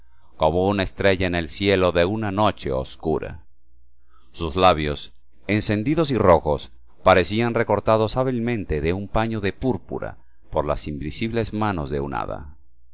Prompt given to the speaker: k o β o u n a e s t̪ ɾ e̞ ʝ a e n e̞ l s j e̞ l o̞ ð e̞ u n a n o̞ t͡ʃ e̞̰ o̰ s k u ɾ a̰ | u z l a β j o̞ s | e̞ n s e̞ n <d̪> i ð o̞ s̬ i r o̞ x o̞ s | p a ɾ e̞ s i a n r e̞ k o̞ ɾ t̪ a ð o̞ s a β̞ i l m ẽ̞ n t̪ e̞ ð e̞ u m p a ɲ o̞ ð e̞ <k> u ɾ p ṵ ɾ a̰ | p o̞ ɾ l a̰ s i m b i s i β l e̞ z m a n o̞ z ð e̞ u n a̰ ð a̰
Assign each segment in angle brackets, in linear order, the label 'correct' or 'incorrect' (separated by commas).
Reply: correct, incorrect